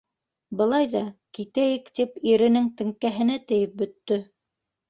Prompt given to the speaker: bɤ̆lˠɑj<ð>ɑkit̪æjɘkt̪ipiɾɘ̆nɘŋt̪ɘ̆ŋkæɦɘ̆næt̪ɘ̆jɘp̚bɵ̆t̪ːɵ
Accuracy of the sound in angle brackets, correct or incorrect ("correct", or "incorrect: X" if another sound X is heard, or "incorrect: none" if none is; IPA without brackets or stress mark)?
correct